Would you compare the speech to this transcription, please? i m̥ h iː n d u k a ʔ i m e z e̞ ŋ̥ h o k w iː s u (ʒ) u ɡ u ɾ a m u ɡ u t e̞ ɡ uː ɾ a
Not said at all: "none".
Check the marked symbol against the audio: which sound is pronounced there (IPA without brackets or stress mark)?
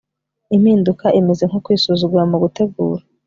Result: z